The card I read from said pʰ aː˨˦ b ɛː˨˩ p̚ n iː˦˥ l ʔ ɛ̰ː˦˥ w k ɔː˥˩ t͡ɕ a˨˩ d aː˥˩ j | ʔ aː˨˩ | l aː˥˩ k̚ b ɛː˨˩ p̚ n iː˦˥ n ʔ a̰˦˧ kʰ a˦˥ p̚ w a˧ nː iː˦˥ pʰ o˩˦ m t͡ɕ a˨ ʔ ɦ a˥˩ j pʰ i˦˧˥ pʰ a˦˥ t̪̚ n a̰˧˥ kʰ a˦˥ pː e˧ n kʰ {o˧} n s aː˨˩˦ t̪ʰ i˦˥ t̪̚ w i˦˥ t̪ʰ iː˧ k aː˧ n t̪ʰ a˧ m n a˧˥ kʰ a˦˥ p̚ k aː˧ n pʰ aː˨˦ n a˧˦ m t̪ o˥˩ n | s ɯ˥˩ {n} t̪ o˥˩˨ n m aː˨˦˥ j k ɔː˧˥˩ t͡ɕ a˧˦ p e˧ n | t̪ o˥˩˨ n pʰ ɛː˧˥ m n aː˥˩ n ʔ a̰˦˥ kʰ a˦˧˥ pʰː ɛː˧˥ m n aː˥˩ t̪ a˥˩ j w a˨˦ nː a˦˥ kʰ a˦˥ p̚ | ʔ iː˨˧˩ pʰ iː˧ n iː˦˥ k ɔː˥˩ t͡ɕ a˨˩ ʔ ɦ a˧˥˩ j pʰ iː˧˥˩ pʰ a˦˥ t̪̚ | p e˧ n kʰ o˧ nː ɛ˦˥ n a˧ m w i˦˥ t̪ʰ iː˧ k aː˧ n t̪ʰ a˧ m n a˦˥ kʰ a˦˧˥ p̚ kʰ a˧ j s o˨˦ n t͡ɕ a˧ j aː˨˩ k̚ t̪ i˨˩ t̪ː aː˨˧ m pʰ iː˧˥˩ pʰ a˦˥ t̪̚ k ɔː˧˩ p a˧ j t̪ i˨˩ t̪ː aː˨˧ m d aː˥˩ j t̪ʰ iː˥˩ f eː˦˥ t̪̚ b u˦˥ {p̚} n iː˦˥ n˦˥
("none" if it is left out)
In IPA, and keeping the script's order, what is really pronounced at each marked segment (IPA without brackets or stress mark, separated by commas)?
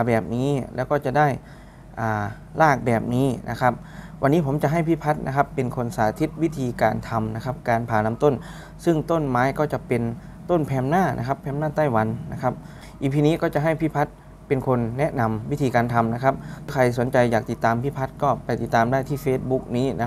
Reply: o˧, ŋ, k̚